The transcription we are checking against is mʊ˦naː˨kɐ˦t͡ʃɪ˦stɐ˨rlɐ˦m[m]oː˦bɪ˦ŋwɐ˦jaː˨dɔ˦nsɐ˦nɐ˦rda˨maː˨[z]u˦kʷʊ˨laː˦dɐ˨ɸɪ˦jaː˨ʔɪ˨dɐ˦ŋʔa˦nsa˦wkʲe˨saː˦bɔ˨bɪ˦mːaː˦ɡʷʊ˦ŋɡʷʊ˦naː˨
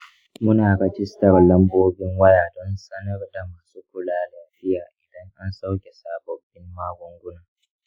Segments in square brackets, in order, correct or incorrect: incorrect: b, incorrect: s

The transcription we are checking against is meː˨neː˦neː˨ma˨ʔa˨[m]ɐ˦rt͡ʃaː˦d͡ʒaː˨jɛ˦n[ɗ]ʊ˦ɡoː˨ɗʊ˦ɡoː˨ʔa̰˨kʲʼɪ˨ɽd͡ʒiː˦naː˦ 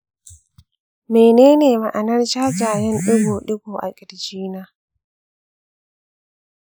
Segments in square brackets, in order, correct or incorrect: incorrect: n, correct

